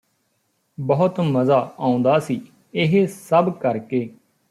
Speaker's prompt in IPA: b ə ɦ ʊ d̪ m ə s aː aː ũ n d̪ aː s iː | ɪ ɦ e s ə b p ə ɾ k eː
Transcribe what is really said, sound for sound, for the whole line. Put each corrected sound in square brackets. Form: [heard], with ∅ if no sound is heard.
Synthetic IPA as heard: b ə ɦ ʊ [t̪] m ə [z] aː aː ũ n d̪ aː s iː | ɪ ɦ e s ə b [k] ə ɾ k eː